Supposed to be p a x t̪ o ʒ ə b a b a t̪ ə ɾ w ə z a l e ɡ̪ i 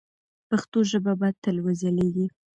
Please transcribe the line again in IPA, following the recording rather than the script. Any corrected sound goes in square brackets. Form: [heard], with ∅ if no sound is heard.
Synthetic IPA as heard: p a x t̪ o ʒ ə b a b a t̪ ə [l] w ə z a l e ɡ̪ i